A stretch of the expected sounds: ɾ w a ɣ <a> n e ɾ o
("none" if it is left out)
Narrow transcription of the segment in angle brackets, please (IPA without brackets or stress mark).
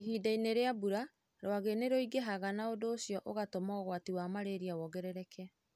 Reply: e